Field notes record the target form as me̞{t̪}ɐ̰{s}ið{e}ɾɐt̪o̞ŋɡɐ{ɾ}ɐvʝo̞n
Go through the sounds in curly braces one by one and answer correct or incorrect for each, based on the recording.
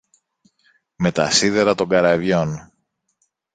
correct, correct, correct, correct

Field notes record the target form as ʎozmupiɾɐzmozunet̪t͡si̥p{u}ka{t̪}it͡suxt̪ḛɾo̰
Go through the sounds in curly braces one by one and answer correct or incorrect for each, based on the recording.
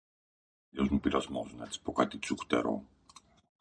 incorrect, correct

